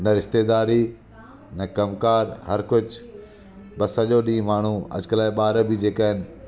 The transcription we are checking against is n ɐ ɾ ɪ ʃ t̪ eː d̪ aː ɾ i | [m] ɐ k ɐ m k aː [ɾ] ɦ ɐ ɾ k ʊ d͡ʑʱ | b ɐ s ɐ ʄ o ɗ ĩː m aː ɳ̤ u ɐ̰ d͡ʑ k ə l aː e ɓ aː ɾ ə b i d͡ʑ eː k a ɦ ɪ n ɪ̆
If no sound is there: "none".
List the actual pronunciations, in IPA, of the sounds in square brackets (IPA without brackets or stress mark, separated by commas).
n, ɾ